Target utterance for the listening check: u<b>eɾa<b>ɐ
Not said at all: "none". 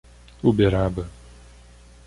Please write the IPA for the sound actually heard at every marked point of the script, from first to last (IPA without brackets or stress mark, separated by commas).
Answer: b, b